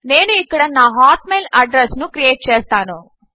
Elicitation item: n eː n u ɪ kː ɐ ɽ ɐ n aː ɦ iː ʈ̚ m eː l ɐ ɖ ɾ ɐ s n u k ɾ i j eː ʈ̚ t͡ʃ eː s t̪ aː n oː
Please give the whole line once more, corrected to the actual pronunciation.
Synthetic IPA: n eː n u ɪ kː ɐ ɽ ɐ n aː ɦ aː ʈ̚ m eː l ɐ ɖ ɾ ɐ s n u k ɾ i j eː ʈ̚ t͡ʃ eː s t̪ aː n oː

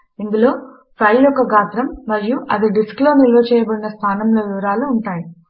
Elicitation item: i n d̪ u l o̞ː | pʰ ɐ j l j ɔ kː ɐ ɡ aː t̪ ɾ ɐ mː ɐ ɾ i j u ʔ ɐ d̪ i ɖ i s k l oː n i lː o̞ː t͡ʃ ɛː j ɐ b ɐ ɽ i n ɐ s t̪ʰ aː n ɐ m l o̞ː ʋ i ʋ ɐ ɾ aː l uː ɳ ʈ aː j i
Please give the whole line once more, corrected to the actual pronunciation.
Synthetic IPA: i n d̪ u l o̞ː | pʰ ɐ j l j ɔ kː ɐ ɡ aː t̪ ɾ ɐ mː ɐ ɾ i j u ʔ ɐ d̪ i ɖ i s k l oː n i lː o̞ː t͡ʃ ɛː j ɐ b ɐ ɽ i n ɐ s t̪ʰ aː n ɐ m l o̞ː ʋ i ʋ ɐ ɾ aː l uː ɳ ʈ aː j i

